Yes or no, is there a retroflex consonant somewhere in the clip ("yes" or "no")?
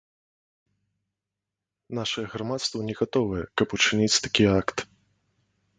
yes